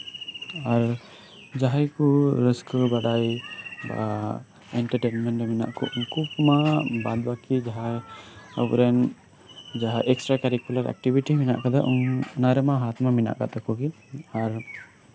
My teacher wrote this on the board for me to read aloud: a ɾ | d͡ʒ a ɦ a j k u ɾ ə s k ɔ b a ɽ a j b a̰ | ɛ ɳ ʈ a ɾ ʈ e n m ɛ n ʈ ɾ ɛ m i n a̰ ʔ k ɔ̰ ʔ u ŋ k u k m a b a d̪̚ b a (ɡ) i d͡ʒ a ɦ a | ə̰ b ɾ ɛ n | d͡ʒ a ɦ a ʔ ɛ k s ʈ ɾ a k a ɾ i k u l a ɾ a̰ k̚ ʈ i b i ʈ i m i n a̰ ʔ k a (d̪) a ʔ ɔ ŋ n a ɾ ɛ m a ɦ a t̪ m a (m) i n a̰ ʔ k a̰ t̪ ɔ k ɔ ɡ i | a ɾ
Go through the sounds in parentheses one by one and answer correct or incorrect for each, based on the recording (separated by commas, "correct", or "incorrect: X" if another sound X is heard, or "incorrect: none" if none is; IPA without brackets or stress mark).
incorrect: k, correct, correct